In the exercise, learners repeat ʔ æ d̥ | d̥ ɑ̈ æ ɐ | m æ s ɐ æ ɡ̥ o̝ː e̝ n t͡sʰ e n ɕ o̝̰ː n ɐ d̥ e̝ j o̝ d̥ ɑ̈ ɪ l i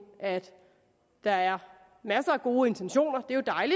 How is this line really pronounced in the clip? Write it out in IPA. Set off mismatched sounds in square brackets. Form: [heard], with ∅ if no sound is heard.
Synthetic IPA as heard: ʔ æ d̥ | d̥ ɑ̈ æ ɐ | m æ s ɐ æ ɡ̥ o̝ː e̝ n t͡sʰ e n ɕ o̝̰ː n ɐ d̥ e̝ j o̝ d̥ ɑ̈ ɪ l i